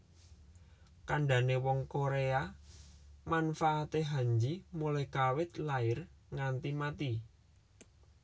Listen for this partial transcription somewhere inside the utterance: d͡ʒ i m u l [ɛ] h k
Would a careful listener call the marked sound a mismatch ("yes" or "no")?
no